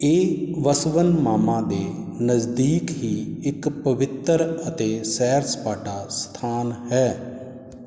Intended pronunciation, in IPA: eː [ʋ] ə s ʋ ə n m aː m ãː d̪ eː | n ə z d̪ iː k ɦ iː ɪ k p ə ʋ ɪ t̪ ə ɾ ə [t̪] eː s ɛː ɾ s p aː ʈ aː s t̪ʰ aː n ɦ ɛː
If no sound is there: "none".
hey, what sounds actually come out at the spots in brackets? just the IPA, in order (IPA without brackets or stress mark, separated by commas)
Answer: ʋ, t̪